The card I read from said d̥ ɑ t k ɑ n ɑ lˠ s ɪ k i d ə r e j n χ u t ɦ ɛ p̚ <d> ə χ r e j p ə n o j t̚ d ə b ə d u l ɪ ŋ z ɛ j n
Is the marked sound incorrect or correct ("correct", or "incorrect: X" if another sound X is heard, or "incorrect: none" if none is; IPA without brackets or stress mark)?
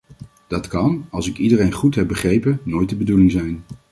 incorrect: b